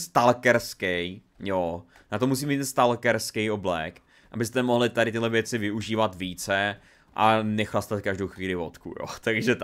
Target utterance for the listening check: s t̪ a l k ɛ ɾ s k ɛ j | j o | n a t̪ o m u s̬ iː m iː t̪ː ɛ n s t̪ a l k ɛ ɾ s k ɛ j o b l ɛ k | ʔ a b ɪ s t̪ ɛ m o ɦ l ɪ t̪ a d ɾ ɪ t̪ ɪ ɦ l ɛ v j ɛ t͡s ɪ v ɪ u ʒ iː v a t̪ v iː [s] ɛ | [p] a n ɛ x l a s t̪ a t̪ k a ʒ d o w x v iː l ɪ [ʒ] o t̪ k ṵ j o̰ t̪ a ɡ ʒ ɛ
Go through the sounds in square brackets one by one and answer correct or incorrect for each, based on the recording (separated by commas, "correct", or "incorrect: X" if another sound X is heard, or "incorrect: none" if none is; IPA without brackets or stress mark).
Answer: incorrect: t͡s, incorrect: ʔ, incorrect: v